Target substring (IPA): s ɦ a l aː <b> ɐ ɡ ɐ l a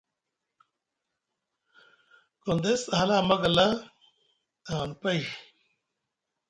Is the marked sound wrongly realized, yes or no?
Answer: yes